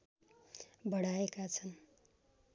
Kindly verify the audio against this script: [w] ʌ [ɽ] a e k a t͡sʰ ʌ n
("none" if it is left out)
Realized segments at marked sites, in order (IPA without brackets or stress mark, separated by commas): b, ɽ